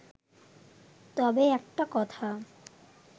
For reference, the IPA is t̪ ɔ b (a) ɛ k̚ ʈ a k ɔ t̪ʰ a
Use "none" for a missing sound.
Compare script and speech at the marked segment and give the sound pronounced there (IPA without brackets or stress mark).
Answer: e